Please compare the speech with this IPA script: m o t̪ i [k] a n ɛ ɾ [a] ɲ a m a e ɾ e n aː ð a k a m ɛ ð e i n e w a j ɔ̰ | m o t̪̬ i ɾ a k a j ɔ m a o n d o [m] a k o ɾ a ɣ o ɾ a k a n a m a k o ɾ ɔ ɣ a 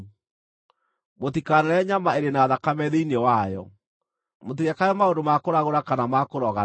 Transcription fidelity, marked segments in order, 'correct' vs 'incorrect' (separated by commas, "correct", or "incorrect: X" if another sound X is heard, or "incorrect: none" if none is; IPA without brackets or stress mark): correct, incorrect: ɛ, correct